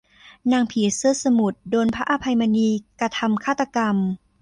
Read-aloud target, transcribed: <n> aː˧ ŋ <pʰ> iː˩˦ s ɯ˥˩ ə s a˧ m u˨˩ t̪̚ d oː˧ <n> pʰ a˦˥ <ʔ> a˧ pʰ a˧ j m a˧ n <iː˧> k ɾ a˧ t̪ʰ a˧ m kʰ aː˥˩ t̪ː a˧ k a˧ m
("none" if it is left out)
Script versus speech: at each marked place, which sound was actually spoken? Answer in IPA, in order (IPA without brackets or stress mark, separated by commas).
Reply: n, pʰ, n, ʔ, iː˧